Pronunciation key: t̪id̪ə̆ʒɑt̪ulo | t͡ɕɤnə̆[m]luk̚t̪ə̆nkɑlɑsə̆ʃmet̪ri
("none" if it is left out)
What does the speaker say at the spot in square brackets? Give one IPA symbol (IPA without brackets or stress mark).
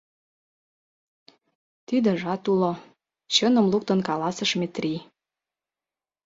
m